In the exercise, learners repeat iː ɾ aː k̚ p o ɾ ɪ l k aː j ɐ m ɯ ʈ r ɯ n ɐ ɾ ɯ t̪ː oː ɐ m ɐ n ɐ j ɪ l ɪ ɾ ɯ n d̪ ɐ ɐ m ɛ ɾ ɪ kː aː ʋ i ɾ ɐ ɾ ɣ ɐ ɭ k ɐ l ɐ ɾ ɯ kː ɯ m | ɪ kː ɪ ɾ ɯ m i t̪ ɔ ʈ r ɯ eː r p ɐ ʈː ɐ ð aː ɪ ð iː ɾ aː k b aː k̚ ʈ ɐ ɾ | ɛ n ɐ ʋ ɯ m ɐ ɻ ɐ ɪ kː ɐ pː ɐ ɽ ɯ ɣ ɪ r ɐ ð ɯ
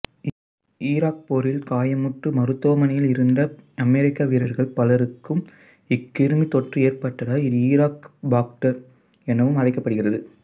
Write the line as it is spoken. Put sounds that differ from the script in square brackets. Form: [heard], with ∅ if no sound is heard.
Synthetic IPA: iː ɾ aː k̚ p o ɾ ɪ l k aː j ɐ m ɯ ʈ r ɯ [m] ɐ ɾ ɯ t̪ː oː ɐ m ɐ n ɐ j ɪ l ɪ ɾ ɯ n d̪ ɐ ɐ m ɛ ɾ ɪ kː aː ʋ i ɾ ɐ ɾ ɣ ɐ ɭ [p] ɐ l ɐ ɾ ɯ kː ɯ m | ɪ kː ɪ ɾ ɯ m i t̪ ɔ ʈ r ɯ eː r p ɐ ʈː ɐ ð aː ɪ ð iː ɾ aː k b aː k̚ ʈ ɐ ɾ | ɛ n ɐ ʋ ɯ m ɐ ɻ ɐ ɪ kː ɐ pː ɐ ɽ ɯ ɣ ɪ r ɐ ð ɯ